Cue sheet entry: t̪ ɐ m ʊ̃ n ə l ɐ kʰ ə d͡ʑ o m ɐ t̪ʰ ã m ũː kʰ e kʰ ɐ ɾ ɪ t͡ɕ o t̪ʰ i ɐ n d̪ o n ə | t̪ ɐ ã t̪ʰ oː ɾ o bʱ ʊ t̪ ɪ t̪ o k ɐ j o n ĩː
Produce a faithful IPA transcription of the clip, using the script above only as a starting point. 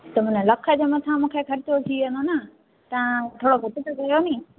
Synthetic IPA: t̪ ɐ m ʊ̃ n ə l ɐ kʰ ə d͡ʑ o m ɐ t̪ʰ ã m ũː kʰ e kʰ ɐ ɾ ɪ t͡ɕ o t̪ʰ i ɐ n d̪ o n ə | t̪ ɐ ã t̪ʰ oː ɽ o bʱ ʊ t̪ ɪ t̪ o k ɐ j o n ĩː